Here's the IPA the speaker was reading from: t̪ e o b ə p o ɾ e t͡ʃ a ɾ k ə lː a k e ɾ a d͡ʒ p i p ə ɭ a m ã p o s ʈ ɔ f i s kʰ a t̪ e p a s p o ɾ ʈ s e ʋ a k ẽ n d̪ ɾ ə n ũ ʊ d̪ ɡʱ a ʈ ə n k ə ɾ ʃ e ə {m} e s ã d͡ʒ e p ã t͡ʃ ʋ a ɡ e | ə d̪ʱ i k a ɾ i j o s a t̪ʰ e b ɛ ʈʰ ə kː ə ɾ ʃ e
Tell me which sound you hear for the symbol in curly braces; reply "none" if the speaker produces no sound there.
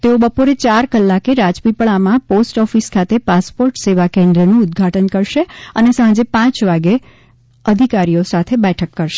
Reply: n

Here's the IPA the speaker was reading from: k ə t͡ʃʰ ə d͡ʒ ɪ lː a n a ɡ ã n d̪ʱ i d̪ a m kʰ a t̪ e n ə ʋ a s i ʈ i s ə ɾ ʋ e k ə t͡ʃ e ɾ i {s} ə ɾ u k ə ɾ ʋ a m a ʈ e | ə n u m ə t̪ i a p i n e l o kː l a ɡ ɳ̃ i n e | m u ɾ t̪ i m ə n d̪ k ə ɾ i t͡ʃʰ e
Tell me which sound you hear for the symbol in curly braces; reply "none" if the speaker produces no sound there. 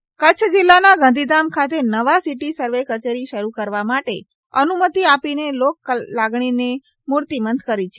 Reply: ʃ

